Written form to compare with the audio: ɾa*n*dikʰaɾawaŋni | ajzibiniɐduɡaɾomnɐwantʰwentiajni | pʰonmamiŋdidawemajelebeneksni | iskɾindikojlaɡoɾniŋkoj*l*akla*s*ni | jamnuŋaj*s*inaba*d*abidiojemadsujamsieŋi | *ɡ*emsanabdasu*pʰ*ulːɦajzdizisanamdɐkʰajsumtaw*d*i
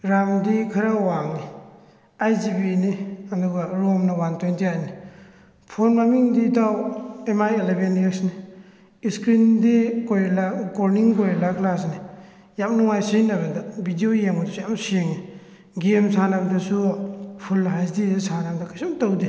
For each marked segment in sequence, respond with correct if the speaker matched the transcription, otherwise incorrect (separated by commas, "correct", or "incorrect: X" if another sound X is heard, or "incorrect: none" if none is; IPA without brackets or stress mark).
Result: incorrect: m, correct, correct, correct, correct, correct, correct, correct